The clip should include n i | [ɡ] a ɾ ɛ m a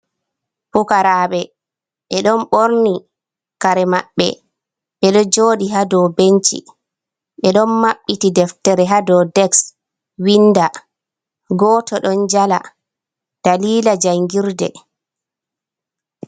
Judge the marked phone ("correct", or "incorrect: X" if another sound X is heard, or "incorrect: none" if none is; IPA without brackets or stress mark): incorrect: k